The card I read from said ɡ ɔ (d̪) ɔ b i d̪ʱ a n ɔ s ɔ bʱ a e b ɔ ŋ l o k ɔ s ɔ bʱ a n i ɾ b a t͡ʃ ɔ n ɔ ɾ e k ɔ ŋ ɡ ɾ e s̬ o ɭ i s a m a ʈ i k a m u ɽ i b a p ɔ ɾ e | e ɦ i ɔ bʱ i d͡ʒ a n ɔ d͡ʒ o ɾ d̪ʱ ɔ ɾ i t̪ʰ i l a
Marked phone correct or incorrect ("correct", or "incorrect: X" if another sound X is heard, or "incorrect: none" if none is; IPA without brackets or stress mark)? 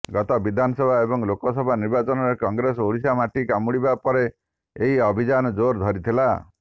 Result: incorrect: t̪